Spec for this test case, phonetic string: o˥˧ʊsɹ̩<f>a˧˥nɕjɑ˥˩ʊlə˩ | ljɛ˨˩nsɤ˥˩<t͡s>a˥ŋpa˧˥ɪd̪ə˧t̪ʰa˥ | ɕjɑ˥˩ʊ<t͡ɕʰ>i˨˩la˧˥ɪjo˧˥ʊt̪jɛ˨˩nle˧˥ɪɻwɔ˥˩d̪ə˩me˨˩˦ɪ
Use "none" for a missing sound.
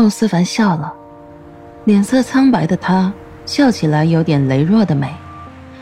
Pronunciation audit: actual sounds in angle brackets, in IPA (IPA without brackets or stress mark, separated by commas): f, t͡sʰ, t͡ɕʰ